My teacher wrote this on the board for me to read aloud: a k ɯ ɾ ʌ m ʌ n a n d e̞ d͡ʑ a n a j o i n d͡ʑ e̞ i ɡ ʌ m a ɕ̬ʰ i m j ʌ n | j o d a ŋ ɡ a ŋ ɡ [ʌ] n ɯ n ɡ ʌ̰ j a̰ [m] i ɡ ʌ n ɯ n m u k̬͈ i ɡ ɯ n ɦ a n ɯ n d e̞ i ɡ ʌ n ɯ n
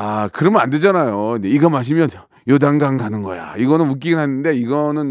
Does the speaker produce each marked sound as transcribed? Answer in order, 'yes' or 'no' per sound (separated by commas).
no, no